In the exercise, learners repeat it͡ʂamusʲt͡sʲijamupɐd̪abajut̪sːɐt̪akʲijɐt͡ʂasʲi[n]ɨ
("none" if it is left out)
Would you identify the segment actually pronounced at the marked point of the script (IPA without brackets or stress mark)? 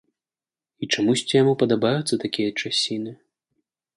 n